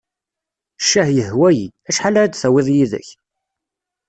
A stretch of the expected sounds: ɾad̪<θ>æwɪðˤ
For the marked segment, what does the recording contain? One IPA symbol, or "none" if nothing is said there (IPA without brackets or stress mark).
θ